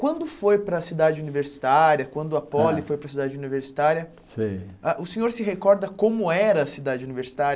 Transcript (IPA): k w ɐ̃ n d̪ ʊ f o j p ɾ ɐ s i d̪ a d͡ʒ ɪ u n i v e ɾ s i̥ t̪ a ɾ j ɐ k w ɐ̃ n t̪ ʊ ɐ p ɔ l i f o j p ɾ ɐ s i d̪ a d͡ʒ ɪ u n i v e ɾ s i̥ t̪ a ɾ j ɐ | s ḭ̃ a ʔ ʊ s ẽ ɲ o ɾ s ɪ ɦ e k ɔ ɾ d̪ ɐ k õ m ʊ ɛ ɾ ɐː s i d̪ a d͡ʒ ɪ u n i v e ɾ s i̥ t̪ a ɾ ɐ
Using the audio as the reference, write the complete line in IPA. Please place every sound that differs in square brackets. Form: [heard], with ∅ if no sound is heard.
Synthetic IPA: k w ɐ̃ n d̪ ʊ f o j p ɾ ɐ s i d̪ a d͡ʒ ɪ u n i v e ɾ s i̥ t̪ a ɾ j ɐ k w ɐ̃ n [d̪] ʊ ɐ p ɔ l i f o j p ɾ ɐ s i d̪ a d͡ʒ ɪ u n i v e ɾ s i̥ t̪ a ɾ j ɐ | s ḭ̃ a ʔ ʊ s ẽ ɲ o ɾ s ɪ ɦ e k ɔ ɾ d̪ ɐ k õ m ʊ ɛ ɾ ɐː s i d̪ a d͡ʒ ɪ u n i v e ɾ s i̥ t̪ a ɾ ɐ